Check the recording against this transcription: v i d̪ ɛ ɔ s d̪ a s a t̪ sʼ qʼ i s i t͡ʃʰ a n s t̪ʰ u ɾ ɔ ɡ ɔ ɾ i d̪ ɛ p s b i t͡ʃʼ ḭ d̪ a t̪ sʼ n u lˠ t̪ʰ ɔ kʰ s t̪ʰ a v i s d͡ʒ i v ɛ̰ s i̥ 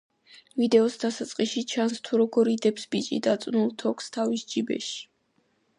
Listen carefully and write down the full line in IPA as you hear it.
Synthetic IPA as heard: v i d̪ ɛ ɔ s d̪ a s a t̪ sʼ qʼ i ʃ i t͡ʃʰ a n s t̪ʰ u ɾ ɔ ɡ ɔ ɾ i d̪ ɛ p s b i t͡ʃʼ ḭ d̪ a t̪ sʼ n u lˠ t̪ʰ ɔ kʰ s t̪ʰ a v i s d͡ʒ i b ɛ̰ ʃ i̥